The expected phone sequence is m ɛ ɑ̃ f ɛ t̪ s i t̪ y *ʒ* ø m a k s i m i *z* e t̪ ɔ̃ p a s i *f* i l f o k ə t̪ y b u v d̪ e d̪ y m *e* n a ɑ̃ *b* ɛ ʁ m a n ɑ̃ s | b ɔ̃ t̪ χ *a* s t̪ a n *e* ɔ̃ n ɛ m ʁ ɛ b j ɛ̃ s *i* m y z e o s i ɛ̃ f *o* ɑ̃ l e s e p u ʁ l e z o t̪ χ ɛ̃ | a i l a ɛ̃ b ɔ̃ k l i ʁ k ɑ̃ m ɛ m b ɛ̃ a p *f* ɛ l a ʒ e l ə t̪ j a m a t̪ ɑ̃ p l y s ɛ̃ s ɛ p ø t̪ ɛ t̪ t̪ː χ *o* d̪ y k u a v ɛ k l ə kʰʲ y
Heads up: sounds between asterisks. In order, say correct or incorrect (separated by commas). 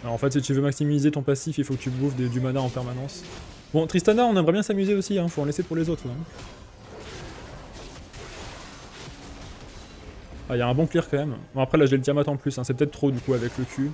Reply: incorrect, correct, correct, incorrect, incorrect, incorrect, incorrect, incorrect, correct, incorrect, correct